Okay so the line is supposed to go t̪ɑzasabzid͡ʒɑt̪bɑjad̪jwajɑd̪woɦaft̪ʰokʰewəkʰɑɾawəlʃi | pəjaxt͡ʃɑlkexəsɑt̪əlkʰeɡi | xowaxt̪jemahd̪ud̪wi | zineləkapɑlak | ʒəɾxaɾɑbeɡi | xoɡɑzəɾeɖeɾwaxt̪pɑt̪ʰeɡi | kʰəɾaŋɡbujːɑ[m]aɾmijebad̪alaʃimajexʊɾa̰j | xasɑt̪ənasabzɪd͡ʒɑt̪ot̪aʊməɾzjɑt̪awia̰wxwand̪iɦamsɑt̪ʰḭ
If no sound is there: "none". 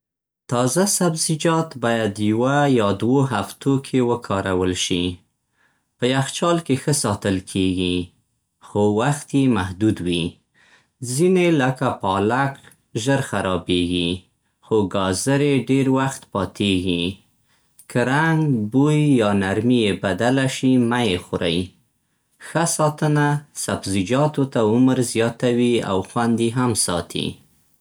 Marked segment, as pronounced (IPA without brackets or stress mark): n